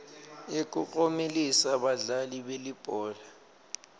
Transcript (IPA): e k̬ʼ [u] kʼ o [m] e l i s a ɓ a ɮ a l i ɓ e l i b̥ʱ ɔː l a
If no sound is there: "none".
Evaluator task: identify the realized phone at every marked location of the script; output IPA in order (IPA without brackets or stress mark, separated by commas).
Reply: u, m